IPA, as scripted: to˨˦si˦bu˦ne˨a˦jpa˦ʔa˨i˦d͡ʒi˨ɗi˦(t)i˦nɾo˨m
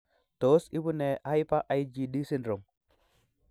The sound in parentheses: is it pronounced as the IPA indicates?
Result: no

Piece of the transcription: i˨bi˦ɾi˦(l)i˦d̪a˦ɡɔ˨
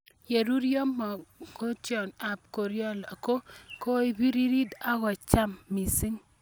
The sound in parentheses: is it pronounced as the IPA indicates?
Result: no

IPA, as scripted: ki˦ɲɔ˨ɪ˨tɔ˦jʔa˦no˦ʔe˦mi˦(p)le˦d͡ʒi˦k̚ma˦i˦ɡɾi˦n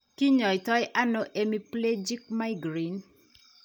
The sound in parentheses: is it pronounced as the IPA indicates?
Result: yes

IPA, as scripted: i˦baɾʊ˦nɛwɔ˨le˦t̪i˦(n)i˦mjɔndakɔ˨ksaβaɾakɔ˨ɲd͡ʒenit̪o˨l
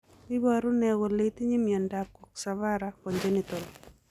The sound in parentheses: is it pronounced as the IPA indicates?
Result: no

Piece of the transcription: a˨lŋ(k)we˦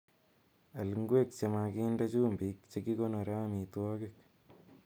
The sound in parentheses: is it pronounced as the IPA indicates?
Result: no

